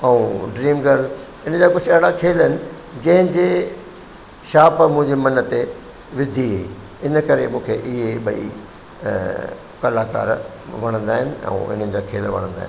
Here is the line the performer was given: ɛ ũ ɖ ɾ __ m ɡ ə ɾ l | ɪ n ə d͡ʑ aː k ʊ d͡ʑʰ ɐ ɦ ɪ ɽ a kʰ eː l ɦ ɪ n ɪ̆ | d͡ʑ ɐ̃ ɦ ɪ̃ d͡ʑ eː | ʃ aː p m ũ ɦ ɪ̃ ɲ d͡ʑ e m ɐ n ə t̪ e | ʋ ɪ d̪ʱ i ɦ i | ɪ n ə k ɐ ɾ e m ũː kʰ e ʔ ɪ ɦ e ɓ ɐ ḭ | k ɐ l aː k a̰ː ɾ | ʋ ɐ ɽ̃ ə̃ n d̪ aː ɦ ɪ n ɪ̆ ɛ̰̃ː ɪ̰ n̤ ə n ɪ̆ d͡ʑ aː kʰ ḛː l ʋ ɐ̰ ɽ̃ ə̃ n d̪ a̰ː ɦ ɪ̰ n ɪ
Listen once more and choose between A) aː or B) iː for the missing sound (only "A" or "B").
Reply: B